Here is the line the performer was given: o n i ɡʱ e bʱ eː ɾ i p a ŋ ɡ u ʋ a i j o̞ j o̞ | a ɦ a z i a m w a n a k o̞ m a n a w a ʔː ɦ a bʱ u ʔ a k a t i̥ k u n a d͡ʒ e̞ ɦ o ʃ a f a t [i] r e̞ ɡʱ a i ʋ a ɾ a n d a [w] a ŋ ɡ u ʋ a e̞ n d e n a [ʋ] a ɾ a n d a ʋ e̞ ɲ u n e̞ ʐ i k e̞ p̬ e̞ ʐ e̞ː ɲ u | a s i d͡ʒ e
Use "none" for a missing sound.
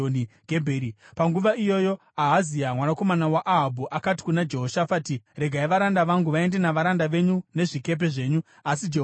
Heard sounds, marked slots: i, ʋ, ʋ

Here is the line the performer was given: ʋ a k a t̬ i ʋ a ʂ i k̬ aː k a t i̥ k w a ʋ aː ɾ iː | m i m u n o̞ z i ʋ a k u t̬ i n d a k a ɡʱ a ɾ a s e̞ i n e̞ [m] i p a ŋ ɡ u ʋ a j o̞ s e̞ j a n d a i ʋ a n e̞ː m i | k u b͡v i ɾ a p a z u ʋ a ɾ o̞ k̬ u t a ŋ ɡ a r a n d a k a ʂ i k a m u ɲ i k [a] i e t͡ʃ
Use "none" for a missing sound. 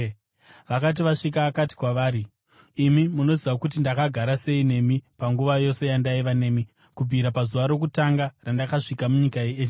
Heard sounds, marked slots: m, a

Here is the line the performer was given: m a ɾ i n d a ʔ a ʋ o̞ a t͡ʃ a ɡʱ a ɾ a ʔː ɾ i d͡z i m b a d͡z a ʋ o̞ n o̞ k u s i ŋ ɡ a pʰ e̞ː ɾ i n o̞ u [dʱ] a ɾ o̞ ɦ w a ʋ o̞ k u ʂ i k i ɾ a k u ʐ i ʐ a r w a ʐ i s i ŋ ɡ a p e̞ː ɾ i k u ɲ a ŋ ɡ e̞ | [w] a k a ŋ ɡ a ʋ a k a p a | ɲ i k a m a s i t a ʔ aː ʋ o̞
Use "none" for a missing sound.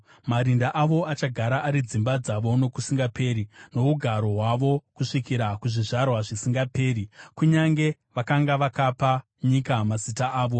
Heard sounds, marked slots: ɡʱ, ʋ

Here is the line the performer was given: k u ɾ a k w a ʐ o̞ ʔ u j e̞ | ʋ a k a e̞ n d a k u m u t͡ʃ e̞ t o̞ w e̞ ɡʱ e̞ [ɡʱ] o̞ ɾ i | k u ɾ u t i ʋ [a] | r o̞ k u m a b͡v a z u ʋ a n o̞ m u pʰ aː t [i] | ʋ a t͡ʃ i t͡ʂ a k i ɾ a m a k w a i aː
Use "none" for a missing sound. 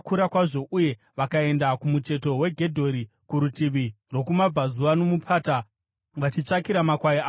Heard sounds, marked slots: dʱ, i, a

